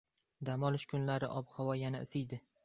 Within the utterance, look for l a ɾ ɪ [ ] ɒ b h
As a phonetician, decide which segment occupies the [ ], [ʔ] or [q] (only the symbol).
ʔ